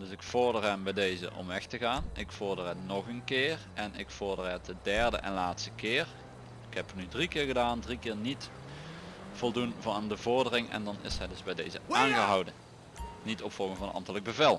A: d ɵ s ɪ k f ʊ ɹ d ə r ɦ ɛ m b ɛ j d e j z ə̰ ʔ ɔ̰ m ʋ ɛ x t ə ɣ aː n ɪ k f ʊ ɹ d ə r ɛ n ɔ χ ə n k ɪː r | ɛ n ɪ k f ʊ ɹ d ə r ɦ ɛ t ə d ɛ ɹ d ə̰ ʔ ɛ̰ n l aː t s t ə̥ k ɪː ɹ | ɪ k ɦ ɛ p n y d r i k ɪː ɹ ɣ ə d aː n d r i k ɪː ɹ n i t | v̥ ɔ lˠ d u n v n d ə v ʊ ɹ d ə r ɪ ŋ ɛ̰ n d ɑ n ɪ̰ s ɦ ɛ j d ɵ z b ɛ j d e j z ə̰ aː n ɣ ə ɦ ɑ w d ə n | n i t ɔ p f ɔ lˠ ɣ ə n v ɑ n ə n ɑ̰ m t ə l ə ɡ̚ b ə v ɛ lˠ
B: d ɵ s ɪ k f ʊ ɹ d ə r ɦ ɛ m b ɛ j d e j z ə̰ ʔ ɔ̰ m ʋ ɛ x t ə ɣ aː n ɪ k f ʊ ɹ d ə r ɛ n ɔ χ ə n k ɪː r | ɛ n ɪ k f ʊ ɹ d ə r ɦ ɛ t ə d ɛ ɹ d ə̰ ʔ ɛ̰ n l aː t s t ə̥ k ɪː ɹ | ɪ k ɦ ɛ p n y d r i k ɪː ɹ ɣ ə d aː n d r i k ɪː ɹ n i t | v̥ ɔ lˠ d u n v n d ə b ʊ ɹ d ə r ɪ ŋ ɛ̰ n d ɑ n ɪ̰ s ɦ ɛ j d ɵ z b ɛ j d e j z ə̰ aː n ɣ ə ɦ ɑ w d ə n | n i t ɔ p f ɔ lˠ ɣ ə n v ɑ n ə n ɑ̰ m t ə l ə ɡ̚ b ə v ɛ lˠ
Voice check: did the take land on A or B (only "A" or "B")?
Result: A